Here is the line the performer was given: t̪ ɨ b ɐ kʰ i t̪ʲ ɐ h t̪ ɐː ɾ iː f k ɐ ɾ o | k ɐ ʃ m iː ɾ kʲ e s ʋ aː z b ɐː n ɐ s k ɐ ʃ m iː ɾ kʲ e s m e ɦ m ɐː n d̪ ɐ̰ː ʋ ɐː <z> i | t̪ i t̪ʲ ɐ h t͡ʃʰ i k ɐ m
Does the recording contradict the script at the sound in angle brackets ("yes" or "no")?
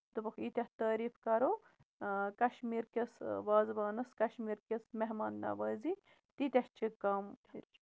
no